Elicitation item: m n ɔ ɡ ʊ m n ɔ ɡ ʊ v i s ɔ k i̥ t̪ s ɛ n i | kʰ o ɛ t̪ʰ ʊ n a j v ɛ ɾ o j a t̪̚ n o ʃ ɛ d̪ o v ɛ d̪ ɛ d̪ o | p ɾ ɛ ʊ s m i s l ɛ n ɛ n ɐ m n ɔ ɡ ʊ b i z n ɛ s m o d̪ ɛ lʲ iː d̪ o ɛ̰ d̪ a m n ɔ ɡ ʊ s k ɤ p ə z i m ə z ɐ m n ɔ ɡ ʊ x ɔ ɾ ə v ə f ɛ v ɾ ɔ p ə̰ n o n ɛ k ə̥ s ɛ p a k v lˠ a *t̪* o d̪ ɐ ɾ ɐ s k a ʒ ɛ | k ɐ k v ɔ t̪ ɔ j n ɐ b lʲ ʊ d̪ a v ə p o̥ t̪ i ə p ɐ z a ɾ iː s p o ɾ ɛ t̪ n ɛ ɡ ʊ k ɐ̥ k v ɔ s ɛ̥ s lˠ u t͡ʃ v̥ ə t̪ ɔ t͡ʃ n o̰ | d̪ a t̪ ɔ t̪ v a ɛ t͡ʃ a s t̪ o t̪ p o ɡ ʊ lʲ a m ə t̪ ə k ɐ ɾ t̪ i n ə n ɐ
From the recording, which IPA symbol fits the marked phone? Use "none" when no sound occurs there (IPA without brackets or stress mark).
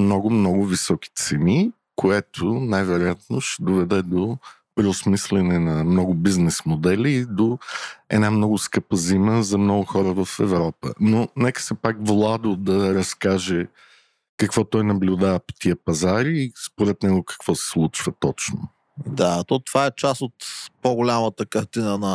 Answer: d̪